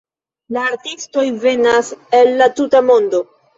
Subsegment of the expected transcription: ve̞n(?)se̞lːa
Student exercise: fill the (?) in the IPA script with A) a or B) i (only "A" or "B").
A